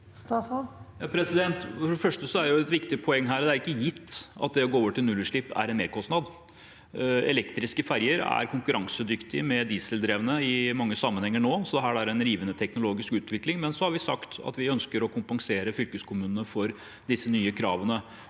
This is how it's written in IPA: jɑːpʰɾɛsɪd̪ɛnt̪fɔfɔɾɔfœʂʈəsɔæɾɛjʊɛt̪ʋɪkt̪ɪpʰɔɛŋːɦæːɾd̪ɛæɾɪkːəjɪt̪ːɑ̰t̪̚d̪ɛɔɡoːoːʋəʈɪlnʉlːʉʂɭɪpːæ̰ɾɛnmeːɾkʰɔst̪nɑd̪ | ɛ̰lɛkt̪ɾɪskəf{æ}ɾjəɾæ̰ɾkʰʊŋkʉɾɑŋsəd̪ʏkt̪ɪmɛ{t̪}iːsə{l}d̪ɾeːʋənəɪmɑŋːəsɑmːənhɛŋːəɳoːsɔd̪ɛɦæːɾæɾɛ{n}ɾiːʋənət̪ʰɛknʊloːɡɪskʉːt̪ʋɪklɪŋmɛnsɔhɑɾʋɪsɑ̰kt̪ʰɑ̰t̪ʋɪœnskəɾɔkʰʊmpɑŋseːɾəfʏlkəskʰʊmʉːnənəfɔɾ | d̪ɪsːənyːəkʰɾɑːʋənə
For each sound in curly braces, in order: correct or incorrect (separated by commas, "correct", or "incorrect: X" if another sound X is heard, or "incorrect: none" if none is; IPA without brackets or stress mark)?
correct, incorrect: d̪, correct, correct